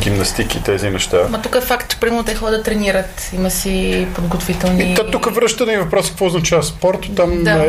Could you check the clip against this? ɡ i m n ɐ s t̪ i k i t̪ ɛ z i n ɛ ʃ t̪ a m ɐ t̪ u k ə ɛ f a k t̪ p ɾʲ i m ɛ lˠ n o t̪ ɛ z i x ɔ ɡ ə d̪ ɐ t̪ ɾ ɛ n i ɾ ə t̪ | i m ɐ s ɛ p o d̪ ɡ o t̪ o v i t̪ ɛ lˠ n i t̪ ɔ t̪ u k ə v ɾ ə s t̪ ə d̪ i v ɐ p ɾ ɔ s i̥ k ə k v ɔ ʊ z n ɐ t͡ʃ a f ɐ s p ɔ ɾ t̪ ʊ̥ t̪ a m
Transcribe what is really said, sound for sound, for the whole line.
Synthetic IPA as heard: ɡ i m n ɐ s t̪ i k i t̪ ɛ z i n ɛ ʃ t̪ a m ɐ t̪ u k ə ɛ f a k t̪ p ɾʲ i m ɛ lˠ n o t̪ ɛ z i x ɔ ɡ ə d̪ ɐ t̪ ɾ ɛ n i ɾ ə t̪ | i m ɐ s i p o d̪ ɡ o t̪ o v i t̪ ɛ lˠ n i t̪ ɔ t̪ u k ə v ɾ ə ʃ t̪ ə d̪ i v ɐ p ɾ ɔ s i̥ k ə k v ɔ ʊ z n ɐ t͡ʃ a v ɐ s p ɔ ɾ t̪ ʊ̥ t̪ a m